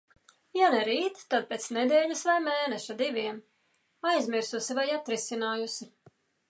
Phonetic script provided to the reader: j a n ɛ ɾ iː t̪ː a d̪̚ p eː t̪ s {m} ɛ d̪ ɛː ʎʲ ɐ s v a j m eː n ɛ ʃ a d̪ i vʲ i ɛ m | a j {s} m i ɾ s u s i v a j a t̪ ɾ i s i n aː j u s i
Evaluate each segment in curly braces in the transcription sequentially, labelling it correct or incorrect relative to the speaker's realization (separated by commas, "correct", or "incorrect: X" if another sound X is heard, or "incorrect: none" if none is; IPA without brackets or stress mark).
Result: incorrect: n, incorrect: z